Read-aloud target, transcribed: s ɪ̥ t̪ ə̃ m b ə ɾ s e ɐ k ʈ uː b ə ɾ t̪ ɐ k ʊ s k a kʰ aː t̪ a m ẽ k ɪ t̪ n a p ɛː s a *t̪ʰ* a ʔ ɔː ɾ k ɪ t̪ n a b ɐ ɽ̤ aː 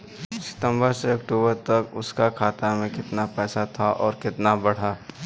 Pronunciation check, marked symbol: correct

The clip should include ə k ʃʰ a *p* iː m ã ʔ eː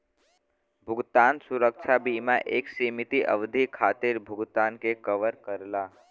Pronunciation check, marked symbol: incorrect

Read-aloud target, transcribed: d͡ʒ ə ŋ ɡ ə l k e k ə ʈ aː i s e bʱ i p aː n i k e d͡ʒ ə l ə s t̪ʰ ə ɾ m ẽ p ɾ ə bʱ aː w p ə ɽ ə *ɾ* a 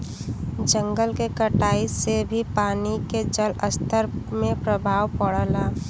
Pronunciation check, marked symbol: incorrect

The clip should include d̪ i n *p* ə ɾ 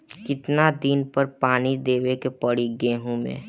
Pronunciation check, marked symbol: correct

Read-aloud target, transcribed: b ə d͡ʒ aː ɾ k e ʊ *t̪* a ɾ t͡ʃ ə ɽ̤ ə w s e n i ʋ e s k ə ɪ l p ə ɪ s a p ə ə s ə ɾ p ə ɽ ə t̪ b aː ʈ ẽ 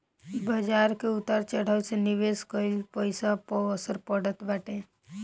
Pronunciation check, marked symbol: correct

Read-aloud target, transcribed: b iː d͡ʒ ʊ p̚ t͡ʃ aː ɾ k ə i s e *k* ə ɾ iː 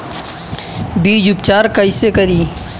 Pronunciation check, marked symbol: correct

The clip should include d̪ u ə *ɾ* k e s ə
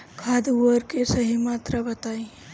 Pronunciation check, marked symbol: correct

